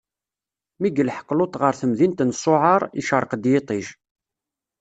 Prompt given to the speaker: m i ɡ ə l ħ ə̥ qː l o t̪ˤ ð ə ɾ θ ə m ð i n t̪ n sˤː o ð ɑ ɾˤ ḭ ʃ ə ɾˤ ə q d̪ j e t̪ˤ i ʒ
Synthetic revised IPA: m i ɡ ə l ħ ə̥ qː l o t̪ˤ ʁ ə ɾ θ ə m ð i n t̪ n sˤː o ʕ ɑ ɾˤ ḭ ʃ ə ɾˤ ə q d̪ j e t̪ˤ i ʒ